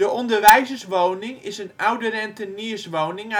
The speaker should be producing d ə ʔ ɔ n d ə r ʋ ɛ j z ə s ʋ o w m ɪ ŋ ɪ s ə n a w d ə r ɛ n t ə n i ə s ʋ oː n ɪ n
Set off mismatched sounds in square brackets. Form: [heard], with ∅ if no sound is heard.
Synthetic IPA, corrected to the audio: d ə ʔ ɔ n d ə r ʋ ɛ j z ə s ʋ o w [n] ɪ ŋ ɪ s ə n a w d ə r ɛ n t ə n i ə s ʋ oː n ɪ [ŋ]